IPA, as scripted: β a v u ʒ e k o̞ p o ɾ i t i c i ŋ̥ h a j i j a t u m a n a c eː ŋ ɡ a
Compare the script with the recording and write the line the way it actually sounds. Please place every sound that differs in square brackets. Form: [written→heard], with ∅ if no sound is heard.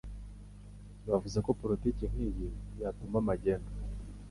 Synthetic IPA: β a v u [ʒ→z] e k o̞ p o ɾ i t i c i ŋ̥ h [a→i] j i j a t u m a [n→m] a [c→ɟ] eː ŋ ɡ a